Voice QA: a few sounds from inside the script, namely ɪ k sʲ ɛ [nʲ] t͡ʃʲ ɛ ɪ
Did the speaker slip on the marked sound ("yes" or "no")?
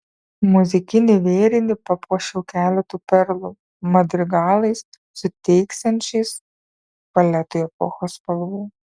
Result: no